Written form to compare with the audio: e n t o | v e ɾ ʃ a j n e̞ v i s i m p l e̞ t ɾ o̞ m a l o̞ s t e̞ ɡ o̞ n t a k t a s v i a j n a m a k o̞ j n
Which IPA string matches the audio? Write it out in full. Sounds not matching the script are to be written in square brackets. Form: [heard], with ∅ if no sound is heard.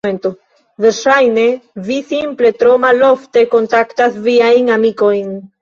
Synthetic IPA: e n t o | v e ɾ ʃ a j n e̞ v i s i m p l e̞ t ɾ o̞ m a l o̞ [f] t e̞ [k] o̞ n t a k t a s v i a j n a m [i] k o̞ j n